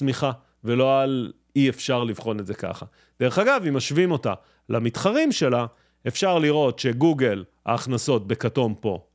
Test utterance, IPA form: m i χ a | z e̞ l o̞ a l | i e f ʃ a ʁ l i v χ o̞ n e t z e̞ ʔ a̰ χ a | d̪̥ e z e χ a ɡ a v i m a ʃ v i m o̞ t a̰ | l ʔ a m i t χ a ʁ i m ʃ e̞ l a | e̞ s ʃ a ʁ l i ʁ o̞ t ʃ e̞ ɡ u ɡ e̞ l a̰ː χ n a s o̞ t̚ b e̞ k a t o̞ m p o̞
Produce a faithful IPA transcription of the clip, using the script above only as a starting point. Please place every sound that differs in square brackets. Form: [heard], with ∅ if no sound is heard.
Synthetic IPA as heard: m i χ a | [v] e̞ l o̞ a l | i e f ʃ a ʁ l i v χ o̞ n e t z e̞ [k] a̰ χ a | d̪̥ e [ʁ] e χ a ɡ a v i m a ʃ v i m o̞ t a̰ | l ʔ a m i t χ a ʁ i m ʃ e̞ l a | e̞ [f] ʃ a ʁ l i ʁ o̞ t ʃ e̞ ɡ u ɡ e̞ l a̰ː χ n a s o̞ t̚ b e̞ k a t o̞ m p o̞